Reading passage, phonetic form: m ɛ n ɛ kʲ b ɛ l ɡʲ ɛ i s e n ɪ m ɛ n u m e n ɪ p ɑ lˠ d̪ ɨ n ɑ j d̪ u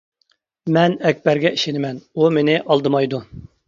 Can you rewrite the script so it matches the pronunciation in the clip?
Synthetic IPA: m ɛ n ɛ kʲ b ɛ ɾ ɡʲ ɛ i ʃ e n ɪ m ɛ n u m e n ɪ ʔ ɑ lˠ d̪ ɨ m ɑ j d̪ u